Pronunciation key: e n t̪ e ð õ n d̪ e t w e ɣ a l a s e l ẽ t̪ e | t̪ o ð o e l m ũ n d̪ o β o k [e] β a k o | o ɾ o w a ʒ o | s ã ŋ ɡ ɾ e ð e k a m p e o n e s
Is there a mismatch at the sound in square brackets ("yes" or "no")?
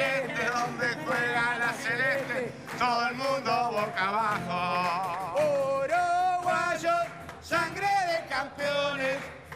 yes